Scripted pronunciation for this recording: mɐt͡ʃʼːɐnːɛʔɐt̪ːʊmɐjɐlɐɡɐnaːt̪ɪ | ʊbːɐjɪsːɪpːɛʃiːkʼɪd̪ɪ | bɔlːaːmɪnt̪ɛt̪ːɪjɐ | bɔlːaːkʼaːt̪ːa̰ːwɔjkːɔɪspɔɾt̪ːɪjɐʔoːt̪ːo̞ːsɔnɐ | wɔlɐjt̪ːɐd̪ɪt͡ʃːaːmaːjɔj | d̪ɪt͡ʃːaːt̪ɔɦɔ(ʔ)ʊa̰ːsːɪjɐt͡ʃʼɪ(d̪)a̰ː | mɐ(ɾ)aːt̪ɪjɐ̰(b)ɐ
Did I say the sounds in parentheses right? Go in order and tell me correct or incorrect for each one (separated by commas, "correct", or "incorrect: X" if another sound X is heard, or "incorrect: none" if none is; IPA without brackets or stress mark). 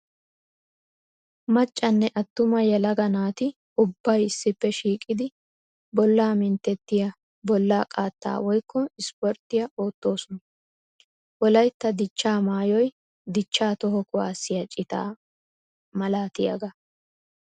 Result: incorrect: k, incorrect: t̪, incorrect: l, incorrect: ɡ